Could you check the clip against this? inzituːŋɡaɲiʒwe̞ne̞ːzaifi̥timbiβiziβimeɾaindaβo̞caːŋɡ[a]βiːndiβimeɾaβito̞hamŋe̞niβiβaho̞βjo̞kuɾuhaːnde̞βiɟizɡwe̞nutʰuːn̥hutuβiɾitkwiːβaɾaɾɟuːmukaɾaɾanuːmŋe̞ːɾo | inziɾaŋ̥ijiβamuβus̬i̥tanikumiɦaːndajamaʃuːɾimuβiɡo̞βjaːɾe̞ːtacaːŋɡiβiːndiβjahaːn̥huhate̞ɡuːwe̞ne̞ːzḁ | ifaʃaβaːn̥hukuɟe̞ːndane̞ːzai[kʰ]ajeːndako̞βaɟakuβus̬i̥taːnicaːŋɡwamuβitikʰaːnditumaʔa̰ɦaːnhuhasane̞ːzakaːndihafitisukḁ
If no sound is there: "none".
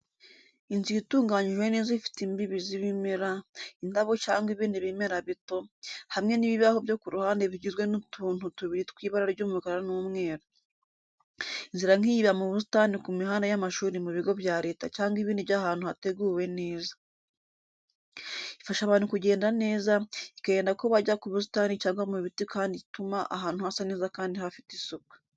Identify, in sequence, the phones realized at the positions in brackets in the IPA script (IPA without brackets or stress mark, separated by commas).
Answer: i, k